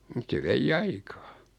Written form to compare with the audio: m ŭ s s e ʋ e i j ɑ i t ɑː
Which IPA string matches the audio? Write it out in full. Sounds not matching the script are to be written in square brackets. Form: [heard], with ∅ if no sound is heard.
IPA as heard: m ŭ [t] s e ʋ e i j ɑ i [k] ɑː